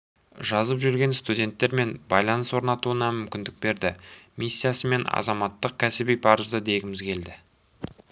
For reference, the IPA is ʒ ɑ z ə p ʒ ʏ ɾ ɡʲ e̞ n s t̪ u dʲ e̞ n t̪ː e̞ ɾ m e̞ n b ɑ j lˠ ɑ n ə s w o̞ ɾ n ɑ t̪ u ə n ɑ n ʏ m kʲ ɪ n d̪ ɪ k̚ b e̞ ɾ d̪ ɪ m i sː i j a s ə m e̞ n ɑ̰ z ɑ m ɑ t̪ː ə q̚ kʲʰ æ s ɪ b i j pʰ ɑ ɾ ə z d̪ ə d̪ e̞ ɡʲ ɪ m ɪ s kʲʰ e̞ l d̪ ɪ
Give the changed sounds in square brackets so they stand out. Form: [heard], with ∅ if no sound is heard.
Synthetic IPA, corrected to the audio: ʒ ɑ z ə p ʒ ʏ ɾ ɡʲ e̞ n s t̪ u dʲ e̞ n t̪ː e̞ ɾ m e̞ n b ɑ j lˠ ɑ n ə s w o̞ ɾ n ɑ t̪ u ə n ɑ [m] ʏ m kʲ ɪ n d̪ ɪ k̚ b e̞ ɾ d̪ ɪ m i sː i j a s ə m e̞ n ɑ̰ z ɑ m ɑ t̪ː ə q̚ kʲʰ æ s ɪ b i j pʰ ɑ ɾ ə z d̪ ə d̪ e̞ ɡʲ ɪ m ɪ [z] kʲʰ e̞ l d̪ ɪ

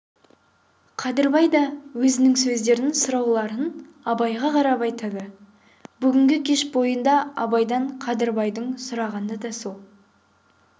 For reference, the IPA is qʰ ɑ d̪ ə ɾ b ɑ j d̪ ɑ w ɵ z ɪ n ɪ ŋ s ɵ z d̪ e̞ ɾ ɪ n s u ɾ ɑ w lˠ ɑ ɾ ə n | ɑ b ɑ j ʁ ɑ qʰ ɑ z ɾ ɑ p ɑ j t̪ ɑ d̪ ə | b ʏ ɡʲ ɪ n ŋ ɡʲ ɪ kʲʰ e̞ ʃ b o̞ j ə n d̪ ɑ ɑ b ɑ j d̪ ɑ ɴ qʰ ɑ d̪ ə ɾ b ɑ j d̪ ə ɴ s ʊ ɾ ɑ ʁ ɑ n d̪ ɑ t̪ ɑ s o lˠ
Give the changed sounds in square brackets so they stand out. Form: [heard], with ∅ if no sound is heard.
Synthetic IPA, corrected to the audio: qʰ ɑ d̪ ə ɾ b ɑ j d̪ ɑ w ɵ z ɪ n ɪ ŋ s ɵ z d̪ e̞ ɾ ɪ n s [ʊ] ɾ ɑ w lˠ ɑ ɾ ə n | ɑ b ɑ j ʁ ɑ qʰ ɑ [∅] ɾ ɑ p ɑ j t̪ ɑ d̪ ə | b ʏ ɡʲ ɪ [∅] ŋ ɡʲ ɪ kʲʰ e̞ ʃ b o̞ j ə n d̪ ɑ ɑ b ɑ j d̪ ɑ ɴ qʰ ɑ d̪ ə ɾ b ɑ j d̪ ə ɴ s ʊ ɾ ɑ ʁ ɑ n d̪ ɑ [d̪] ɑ s o lˠ

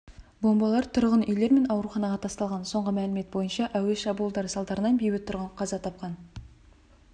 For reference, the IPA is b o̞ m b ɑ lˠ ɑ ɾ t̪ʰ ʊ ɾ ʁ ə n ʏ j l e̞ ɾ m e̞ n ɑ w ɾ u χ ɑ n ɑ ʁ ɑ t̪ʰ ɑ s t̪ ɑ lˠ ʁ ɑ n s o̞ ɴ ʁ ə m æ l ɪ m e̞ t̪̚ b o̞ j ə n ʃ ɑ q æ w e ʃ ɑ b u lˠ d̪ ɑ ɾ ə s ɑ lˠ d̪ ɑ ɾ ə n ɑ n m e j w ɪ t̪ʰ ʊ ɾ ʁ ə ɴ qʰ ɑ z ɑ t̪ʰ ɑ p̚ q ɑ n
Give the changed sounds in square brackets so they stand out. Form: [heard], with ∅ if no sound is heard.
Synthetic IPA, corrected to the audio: b o̞ m b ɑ lˠ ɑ ɾ t̪ʰ ʊ ɾ ʁ ə n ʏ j l e̞ ɾ m e̞ n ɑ w ɾ u χ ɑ n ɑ ʁ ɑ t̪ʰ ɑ s t̪ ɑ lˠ ʁ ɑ n s o̞ ɴ ʁ ə m æ l ɪ m e̞ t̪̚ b o̞ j ə n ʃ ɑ [ʔ] æ w e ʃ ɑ b u lˠ d̪ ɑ ɾ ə s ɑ lˠ d̪ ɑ ɾ ə n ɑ n [b] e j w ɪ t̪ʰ ʊ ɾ ʁ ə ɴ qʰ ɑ z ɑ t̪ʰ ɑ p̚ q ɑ n

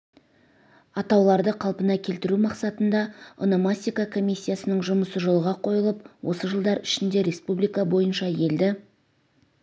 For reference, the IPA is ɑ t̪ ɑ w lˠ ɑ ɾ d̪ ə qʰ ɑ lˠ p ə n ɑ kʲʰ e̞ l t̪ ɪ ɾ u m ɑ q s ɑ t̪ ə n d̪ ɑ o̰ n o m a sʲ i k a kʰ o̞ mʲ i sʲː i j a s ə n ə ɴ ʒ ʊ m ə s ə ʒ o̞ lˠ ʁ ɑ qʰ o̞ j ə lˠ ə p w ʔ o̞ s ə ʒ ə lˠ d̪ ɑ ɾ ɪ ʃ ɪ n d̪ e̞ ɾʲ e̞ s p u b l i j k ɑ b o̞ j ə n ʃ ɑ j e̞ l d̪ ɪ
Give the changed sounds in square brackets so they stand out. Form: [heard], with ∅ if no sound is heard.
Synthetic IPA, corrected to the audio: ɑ t̪ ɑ w lˠ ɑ ɾ d̪ ə qʰ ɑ lˠ p ə n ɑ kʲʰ e̞ l t̪ ɪ ɾ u m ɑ q s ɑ t̪ ə n d̪ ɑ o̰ n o m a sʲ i k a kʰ o̞ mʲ i sʲː i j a s ə n ə ɴ ʒ ʊ m ə s ə ʒ o̞ lˠ ʁ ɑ qʰ o̞ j ə lˠ ə p w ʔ o̞ s ə ʒ ə lˠ d̪ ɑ ɾ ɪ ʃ ɪ n d̪ e̞ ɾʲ e̞ s p u b l i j k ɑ b o̞ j ə n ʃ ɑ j e̞ l d̪ ɪ

